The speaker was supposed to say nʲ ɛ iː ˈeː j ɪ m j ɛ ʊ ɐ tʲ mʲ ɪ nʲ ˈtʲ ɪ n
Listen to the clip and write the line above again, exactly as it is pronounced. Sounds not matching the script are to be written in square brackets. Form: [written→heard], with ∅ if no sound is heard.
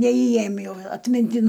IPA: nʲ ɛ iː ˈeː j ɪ m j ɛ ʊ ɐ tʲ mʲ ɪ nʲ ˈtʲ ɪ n

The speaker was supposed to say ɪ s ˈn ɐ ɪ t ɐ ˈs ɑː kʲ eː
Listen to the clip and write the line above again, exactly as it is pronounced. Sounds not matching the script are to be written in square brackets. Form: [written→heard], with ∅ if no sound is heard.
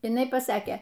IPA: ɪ [s→∅] ˈn ɐ ɪ [t→p] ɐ ˈs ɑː kʲ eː

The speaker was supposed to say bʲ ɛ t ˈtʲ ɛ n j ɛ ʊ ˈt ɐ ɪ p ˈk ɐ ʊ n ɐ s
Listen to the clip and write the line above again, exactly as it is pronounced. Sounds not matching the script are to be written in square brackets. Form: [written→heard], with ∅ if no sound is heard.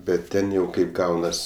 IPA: bʲ ɛ t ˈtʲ ɛ n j ɛ ʊ [ˈt→ˈk] ɐ ɪ p [ˈk→ˈɡ] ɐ ʊ n ɐ s

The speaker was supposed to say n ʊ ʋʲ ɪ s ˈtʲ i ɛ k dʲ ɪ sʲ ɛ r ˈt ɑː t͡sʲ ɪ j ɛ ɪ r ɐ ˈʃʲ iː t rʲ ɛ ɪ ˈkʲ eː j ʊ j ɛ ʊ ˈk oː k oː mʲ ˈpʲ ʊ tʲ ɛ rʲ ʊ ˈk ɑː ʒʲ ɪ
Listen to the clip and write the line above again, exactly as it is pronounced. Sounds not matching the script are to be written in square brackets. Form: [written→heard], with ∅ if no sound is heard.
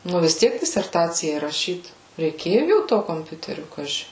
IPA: n ʊ ʋʲ ɪ s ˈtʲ i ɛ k dʲ ɪ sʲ ɛ r ˈt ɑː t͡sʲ ɪ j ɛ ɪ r ɐ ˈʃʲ iː t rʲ ɛ ɪ ˈkʲ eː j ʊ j ɛ ʊ [ˈk→ˈt] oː k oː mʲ ˈpʲ ʊ tʲ ɛ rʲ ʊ ˈk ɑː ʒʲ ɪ

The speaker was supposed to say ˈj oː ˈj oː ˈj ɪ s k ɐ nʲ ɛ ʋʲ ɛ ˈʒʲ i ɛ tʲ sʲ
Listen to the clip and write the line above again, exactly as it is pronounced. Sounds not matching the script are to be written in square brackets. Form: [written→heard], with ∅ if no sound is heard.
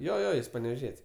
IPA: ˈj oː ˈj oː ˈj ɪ s [k→p] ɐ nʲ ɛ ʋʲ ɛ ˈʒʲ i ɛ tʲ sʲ

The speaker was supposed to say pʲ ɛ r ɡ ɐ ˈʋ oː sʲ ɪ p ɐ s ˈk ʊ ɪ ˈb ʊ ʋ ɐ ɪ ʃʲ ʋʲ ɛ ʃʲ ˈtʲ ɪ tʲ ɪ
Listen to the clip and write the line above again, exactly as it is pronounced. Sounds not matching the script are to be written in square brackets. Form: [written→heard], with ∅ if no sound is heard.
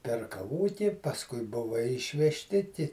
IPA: pʲ ɛ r [ɡ→k] ɐ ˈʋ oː [sʲ→tʲ] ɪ p ɐ s ˈk ʊ ɪ ˈb ʊ ʋ ɐ ɪ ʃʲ ʋʲ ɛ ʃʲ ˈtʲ ɪ tʲ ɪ

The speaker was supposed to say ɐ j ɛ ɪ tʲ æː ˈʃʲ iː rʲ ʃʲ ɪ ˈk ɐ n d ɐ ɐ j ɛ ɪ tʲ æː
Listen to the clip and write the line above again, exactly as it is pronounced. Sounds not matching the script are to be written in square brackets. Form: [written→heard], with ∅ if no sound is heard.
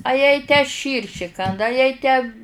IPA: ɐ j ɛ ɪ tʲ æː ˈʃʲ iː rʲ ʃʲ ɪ ˈk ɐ n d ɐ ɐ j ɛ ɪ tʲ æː

